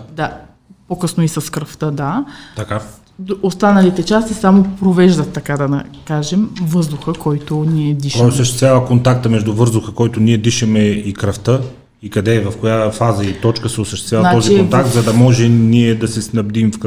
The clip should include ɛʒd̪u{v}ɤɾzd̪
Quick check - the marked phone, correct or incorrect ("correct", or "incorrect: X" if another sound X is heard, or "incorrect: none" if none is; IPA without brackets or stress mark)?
correct